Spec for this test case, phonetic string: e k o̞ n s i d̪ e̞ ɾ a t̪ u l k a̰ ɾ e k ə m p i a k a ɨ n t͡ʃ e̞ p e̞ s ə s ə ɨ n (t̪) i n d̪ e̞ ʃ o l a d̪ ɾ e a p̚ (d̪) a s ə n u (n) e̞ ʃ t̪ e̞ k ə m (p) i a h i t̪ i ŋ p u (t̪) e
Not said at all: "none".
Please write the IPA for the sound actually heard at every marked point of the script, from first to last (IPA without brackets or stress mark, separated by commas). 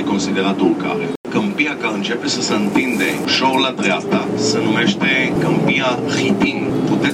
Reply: t̪, t̪, m, p, t̪